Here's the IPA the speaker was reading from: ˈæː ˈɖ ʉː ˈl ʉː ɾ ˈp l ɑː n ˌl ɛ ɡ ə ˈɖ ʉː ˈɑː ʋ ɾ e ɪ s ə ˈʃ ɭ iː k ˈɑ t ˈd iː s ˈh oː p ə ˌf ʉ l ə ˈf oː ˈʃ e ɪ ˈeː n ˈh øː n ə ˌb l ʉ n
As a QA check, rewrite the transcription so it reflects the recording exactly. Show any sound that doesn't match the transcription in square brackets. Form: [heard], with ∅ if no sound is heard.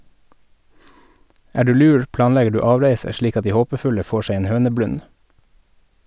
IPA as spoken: ˈæː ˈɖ ʉː ˈl ʉː ɾ ˈp l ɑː n ˌl ɛ ɡ ə ˈɖ ʉː ˈɑː ʋ ɾ e ɪ s ə ˈʃ ɭ iː k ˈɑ t ˈd iː [∅] ˈh oː p ə ˌf ʉ l ə ˈf oː ˈʃ e ɪ ˈeː n ˈh øː n ə ˌb l ʉ n